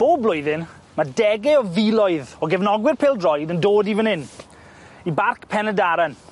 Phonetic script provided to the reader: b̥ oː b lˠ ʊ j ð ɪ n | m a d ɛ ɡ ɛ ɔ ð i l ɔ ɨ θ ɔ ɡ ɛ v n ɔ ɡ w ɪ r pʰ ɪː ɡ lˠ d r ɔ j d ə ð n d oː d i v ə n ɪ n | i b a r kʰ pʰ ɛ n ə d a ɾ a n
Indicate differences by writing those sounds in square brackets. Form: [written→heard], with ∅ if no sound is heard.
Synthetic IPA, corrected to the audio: b̥ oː b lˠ ʊ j ð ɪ n | m a d ɛ ɡ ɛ ɔ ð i l ɔ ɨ [θ→ð] ɔ ɡ ɛ v n ɔ ɡ w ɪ r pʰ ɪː [ɡ→∅] lˠ d r ɔ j d ə [ð→∅] n d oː d i v ə n ɪ n | i b a r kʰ pʰ ɛ n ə d a ɾ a n